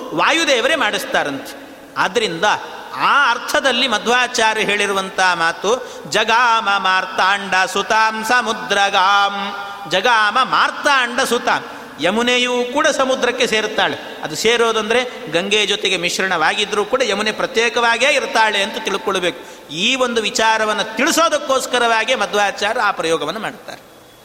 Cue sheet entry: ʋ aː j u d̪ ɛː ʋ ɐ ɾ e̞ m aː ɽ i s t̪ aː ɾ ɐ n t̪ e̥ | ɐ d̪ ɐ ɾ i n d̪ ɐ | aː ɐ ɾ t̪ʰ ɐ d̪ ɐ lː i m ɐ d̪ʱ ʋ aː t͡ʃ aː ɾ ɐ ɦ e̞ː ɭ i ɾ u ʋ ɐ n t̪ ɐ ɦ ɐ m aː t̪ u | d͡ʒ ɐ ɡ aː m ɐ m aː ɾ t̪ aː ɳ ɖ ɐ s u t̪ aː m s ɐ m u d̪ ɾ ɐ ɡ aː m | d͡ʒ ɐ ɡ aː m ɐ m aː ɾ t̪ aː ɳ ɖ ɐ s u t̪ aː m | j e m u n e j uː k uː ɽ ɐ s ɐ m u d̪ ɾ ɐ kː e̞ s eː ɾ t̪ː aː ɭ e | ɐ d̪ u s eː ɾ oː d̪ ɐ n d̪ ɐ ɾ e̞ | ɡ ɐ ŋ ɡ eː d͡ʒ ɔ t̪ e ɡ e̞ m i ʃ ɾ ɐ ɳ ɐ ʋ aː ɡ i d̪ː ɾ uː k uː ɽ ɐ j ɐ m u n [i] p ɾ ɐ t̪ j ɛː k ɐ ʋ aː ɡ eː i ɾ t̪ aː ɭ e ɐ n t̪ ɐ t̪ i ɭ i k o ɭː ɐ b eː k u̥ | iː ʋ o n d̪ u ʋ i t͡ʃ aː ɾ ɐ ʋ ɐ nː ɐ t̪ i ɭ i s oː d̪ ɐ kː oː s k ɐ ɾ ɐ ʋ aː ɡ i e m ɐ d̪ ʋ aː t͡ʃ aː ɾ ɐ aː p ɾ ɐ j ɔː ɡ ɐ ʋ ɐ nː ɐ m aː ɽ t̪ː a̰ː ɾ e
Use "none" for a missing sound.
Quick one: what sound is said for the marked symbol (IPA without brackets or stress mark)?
e